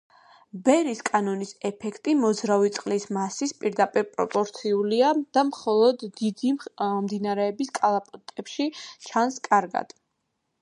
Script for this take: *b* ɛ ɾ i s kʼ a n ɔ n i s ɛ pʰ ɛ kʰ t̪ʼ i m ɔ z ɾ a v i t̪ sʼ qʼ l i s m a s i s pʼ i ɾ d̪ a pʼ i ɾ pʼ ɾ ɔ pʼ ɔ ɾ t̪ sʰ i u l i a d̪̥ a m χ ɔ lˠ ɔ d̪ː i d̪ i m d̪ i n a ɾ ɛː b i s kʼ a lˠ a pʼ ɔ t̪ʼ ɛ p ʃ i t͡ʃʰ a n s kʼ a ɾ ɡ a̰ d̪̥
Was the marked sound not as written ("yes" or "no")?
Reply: no